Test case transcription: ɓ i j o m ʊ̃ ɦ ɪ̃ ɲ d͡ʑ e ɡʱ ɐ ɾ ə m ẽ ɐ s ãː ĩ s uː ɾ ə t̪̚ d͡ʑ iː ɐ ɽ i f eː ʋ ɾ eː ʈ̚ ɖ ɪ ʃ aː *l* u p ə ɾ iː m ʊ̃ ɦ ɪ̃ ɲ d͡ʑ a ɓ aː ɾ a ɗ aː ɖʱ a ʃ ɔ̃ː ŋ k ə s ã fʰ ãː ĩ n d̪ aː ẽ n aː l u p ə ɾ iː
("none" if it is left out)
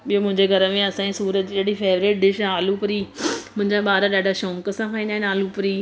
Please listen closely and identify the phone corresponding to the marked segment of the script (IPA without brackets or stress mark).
l